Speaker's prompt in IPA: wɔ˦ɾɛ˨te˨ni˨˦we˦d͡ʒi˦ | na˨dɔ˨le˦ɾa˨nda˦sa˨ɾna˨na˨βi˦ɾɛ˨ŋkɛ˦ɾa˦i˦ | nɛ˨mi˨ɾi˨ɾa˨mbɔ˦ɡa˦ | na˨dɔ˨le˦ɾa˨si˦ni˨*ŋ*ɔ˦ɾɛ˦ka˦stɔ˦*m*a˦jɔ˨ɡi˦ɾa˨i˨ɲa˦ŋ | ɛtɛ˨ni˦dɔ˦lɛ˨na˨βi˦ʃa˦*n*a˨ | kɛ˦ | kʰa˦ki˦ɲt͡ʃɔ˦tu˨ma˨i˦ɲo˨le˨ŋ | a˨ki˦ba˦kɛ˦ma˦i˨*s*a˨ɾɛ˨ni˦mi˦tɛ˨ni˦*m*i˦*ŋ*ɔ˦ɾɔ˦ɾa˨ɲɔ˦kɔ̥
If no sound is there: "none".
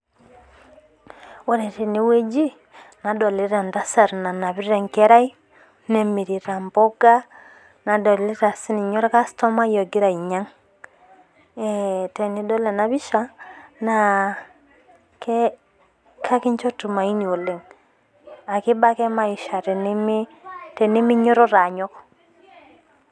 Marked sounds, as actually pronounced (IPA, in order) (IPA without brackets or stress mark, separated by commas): ɲ, m, n, ʃ, m, ɲ